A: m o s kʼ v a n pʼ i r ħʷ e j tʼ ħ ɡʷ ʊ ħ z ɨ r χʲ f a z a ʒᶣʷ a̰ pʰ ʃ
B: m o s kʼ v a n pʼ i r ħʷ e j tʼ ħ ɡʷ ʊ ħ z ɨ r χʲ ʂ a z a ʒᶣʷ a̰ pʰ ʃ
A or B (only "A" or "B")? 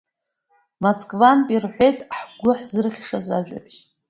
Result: B